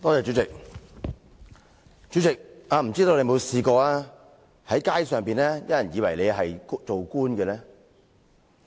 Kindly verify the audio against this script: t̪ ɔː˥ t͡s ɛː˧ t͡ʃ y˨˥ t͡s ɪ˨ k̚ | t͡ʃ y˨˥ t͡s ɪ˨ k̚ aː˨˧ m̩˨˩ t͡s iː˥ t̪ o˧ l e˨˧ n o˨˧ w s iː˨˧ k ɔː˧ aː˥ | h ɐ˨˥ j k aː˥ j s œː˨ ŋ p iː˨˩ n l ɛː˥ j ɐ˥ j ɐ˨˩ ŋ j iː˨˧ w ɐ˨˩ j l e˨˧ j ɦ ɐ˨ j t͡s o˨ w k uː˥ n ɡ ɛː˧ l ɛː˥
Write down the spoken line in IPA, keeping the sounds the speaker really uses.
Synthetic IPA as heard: t̪ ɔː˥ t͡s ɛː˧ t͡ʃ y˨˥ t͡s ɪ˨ k̚ | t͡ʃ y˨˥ t͡s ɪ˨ k̚ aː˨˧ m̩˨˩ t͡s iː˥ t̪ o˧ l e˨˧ m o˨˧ w s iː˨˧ k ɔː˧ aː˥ | h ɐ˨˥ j k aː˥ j s œː˨ ŋ p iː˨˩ n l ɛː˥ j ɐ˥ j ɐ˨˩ n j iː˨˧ w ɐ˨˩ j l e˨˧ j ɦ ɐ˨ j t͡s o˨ w k uː˥ n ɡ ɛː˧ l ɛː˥